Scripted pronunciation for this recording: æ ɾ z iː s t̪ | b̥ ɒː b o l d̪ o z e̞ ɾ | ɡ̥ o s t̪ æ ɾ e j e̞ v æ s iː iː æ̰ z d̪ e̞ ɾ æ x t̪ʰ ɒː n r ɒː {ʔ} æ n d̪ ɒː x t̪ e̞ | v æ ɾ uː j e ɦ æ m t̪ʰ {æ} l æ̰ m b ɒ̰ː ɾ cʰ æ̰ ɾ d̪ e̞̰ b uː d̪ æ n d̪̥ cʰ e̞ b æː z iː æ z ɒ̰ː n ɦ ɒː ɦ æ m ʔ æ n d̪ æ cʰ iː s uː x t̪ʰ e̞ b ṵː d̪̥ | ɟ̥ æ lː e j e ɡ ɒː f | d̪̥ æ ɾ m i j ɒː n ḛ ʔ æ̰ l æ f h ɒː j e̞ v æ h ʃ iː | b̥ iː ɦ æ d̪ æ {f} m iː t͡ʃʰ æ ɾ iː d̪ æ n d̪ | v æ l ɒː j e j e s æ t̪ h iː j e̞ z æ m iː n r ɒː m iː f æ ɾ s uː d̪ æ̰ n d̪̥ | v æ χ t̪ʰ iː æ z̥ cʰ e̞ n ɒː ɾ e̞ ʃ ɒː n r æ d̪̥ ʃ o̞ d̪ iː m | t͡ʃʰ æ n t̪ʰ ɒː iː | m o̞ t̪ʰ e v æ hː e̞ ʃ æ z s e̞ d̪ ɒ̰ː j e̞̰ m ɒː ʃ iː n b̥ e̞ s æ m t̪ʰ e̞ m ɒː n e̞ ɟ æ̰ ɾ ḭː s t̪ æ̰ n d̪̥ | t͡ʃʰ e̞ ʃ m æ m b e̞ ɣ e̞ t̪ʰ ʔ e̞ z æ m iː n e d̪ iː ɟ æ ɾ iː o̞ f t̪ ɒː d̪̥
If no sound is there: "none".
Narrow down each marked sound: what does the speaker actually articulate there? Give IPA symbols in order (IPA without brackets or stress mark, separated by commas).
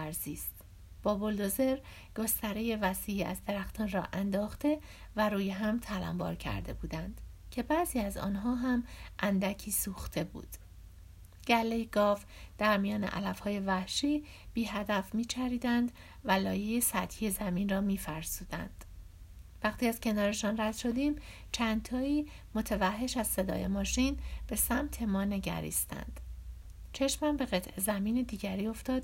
ʔ, æ, f